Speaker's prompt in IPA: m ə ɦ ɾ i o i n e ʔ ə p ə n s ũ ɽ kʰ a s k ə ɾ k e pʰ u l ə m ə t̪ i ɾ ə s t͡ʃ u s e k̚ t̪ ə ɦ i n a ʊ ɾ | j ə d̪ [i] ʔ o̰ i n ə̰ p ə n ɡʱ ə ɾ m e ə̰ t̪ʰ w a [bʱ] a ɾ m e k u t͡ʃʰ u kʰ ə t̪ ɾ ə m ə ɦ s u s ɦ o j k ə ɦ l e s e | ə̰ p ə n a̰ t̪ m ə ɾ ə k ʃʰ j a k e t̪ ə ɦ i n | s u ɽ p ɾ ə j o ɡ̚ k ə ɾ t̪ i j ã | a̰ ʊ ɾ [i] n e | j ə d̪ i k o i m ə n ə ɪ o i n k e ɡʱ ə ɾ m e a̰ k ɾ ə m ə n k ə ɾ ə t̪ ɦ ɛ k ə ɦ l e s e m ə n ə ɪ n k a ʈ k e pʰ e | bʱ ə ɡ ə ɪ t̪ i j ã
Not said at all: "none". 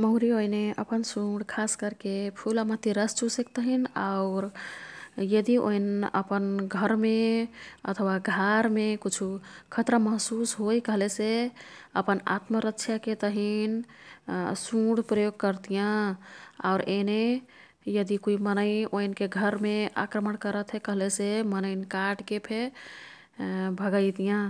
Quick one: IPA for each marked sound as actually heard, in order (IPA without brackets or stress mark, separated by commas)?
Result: i, ɡʱ, e